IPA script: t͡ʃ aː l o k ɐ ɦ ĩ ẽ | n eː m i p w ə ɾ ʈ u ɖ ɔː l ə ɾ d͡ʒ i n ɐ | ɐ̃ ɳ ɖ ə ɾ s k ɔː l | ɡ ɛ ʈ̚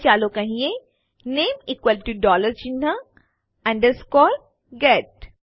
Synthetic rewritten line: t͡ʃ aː l o k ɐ ɦ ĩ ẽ | n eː m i k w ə l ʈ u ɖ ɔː l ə ɾ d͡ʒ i n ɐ | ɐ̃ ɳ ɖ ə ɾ s k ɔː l | ɡ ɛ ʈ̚